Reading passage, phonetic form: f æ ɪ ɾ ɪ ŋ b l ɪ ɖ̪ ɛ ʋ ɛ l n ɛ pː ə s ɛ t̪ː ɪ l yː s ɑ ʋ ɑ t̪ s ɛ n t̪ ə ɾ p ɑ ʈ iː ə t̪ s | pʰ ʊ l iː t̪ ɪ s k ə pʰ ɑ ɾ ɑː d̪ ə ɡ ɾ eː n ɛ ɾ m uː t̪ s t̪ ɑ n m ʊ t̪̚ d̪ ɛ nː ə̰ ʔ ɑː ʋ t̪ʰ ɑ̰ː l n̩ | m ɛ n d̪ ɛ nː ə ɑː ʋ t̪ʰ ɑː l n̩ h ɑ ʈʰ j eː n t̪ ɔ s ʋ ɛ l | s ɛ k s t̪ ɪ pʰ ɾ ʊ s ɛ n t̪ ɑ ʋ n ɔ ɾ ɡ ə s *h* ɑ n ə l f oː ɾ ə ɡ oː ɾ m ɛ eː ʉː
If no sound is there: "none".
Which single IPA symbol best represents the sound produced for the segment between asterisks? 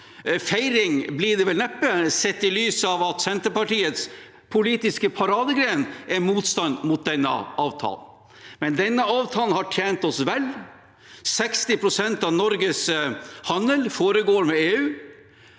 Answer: h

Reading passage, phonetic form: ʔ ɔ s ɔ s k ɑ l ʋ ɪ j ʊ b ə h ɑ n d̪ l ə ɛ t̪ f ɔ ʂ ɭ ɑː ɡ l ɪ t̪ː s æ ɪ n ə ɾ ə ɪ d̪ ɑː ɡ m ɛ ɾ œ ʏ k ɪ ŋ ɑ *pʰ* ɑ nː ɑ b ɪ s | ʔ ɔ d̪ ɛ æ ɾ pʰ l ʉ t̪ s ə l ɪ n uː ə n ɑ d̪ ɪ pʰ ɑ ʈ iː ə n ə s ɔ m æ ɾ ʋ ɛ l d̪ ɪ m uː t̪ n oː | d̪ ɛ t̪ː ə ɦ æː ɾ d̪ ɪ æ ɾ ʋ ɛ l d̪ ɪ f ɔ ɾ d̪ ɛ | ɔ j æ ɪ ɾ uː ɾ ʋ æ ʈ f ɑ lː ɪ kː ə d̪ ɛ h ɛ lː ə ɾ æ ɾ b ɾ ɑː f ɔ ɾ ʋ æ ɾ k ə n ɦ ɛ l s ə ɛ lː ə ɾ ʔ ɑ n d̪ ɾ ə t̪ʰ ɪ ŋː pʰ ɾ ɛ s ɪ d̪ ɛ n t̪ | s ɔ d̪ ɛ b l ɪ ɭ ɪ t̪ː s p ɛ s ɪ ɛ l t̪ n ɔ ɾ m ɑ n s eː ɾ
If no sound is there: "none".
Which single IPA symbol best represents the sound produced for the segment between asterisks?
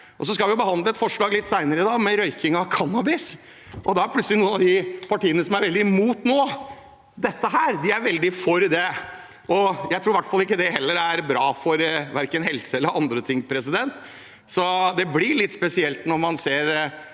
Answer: kʰ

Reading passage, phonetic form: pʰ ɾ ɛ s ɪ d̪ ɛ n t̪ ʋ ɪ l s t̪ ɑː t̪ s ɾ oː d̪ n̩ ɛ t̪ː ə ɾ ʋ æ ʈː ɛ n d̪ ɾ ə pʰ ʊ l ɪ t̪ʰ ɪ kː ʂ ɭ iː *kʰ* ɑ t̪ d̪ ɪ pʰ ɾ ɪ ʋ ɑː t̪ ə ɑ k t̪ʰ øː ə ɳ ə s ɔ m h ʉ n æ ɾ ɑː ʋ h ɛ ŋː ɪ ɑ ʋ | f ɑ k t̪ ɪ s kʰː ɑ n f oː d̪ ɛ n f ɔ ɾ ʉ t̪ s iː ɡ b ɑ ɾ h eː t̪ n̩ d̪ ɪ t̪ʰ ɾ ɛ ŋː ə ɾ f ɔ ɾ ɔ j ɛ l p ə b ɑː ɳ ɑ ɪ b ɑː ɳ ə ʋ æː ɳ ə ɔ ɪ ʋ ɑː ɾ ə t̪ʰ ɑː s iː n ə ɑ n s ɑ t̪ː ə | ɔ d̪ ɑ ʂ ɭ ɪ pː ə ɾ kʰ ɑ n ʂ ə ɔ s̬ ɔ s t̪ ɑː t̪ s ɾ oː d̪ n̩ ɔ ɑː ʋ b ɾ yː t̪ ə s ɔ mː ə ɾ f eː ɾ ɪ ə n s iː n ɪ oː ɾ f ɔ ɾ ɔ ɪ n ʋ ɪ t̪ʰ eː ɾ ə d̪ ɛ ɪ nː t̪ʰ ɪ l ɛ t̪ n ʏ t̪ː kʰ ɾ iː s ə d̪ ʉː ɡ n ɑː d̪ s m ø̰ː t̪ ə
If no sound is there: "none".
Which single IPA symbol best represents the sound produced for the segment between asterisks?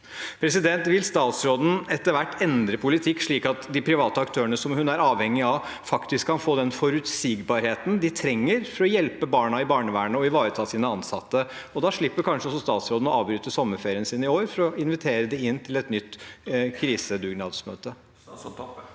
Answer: k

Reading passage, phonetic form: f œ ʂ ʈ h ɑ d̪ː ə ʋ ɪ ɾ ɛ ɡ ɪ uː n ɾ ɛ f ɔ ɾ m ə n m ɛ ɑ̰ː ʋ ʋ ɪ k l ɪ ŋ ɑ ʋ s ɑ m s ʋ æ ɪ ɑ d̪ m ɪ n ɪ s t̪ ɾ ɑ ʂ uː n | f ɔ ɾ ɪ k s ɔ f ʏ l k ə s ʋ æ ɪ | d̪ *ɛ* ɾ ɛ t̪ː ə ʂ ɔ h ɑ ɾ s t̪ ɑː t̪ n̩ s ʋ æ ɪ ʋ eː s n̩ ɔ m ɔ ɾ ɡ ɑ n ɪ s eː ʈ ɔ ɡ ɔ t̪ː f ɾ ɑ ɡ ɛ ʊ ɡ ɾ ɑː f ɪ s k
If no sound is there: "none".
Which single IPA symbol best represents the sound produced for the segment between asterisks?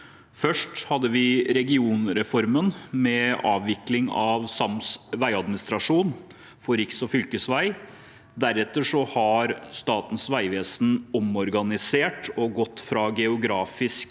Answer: æ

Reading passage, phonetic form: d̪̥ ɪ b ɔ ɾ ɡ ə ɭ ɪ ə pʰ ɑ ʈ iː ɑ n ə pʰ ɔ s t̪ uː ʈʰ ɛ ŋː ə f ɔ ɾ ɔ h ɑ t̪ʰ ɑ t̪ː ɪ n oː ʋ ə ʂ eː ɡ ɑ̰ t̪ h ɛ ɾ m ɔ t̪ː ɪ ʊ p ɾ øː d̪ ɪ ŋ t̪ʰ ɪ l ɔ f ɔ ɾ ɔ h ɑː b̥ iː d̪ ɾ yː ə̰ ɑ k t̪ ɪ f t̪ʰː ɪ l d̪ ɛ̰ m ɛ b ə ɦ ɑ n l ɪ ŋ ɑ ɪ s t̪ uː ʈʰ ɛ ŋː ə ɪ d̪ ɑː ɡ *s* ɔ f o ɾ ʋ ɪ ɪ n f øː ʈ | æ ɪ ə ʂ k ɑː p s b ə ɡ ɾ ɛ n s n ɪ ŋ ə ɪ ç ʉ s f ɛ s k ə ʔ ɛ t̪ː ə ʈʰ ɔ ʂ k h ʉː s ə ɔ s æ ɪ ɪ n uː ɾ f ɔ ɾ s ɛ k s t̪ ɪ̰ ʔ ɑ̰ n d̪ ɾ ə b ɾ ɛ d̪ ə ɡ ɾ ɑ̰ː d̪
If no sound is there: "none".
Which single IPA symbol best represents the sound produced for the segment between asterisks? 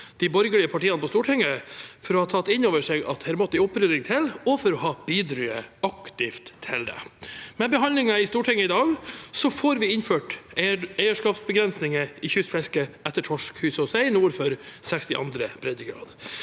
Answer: s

